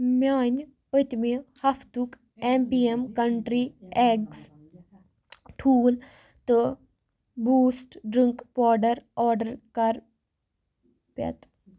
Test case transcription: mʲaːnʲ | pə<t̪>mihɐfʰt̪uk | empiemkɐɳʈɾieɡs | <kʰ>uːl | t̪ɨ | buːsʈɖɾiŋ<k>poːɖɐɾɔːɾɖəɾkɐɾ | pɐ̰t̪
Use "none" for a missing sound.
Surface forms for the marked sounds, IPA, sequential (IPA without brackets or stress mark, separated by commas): t̪, ʈʰ, k